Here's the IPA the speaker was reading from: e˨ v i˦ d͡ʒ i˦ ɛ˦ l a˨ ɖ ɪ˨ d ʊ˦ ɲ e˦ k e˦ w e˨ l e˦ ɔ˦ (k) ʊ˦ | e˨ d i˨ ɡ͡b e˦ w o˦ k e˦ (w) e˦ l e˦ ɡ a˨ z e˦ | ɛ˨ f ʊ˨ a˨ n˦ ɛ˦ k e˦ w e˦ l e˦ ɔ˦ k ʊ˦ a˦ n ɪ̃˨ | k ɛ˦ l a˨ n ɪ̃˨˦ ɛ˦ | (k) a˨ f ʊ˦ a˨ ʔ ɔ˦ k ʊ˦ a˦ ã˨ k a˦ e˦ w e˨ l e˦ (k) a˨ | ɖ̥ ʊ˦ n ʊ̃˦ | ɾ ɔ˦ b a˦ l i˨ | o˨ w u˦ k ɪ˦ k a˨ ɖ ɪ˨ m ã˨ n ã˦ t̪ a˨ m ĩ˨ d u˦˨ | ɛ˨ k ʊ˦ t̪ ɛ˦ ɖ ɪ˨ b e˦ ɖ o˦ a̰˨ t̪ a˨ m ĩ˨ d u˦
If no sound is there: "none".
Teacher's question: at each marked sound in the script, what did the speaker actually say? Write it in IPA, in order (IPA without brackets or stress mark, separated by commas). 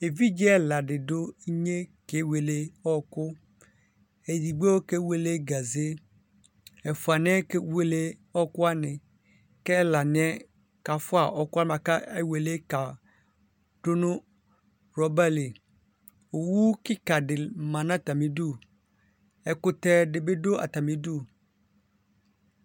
k, w, k, k